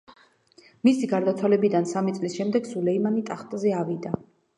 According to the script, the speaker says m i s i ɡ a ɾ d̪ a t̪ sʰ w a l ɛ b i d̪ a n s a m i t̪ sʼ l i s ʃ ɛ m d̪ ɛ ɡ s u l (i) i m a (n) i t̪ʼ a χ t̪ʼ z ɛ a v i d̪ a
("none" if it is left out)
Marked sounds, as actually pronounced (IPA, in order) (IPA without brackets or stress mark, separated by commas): ɛ, n